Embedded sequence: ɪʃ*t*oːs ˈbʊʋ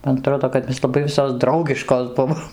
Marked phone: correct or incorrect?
incorrect: k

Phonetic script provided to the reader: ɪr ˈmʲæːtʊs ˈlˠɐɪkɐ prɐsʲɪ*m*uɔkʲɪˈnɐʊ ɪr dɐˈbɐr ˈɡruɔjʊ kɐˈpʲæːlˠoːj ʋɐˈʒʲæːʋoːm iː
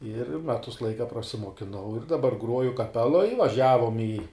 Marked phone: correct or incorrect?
correct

